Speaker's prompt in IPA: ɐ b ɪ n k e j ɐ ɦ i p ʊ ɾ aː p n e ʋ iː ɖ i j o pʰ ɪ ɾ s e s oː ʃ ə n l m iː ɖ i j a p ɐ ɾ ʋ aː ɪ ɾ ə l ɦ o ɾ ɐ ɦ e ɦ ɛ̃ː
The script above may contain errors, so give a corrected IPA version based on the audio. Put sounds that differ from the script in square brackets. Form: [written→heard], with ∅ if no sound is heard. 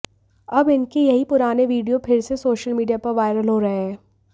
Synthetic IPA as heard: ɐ b ɪ n k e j ɐ ɦ i p ʊ ɾ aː [p→∅] n e ʋ iː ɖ i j o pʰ ɪ ɾ s e s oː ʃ ə [n→∅] l m iː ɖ i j a p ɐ ɾ ʋ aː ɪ ɾ ə l ɦ o ɾ ɐ ɦ e ɦ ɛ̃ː